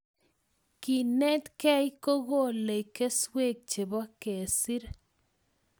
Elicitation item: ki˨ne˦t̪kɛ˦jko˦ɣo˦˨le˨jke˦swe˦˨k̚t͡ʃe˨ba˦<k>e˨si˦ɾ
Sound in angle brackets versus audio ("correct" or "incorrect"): correct